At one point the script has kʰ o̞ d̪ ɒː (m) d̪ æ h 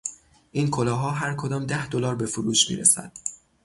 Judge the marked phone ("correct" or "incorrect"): correct